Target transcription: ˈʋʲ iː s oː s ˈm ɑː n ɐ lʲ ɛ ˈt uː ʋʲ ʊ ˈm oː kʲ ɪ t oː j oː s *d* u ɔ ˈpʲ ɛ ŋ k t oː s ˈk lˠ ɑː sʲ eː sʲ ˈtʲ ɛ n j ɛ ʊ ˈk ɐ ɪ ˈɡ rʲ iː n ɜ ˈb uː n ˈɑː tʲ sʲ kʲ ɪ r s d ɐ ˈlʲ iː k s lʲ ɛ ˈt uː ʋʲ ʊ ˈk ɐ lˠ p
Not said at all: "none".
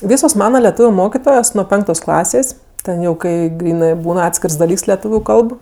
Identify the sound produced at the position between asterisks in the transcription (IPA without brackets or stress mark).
n